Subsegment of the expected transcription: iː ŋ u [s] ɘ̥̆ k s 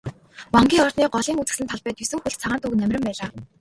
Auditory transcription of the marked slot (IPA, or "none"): t͡s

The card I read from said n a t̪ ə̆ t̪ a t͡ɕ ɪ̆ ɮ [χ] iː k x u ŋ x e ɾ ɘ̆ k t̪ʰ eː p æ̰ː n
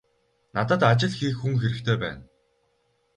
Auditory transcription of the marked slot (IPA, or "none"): x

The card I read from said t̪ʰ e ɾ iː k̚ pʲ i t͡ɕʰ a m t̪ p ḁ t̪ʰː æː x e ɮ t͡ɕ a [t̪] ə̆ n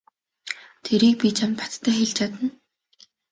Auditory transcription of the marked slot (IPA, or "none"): t̪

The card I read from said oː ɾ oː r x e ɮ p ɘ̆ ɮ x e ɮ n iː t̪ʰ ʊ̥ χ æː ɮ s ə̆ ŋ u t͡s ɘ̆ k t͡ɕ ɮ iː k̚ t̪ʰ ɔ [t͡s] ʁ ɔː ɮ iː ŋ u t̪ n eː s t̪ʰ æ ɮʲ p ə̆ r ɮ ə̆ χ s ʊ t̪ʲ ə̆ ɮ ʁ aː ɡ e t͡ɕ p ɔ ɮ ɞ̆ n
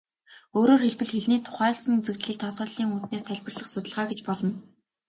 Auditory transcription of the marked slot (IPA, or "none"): t͡s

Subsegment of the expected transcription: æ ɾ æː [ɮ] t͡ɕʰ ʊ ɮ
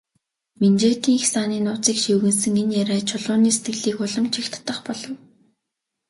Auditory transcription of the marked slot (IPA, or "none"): none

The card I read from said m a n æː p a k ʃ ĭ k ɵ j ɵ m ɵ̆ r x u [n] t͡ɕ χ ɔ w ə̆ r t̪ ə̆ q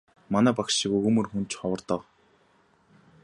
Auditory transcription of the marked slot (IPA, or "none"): n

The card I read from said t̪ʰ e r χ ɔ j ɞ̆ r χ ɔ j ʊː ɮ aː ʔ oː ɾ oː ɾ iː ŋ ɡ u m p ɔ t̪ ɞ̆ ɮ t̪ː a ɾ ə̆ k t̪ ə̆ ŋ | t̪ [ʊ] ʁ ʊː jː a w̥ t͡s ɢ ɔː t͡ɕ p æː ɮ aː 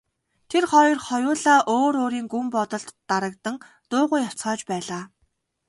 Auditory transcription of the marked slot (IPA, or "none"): ʊː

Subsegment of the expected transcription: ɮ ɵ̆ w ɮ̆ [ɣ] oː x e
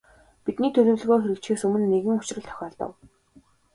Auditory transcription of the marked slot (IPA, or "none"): ɣ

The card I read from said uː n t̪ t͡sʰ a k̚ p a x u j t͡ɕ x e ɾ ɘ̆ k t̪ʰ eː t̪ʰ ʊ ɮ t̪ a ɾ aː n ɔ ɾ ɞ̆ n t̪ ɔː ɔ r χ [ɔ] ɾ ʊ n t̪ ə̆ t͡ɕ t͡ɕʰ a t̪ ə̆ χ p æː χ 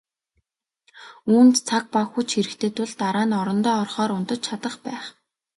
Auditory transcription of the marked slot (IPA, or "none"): ɔː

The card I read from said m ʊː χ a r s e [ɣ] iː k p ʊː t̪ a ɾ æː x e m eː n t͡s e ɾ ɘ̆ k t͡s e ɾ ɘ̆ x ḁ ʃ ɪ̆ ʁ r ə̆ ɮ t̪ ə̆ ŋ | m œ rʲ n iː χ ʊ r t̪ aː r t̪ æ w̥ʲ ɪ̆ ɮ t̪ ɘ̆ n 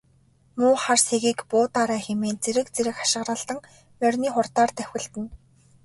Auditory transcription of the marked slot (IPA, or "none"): ɣ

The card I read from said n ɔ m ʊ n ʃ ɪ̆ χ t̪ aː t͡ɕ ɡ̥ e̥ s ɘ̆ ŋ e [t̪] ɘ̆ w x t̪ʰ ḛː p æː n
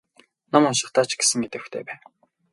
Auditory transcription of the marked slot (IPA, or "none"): t̪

